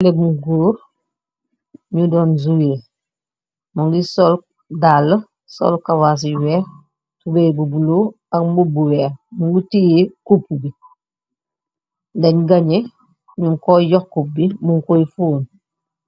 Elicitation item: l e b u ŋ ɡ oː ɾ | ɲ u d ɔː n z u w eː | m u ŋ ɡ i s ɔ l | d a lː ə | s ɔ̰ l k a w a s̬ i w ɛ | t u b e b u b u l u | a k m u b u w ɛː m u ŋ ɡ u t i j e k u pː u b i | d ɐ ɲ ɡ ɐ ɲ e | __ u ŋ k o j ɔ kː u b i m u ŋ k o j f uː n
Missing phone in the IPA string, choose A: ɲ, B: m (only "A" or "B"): A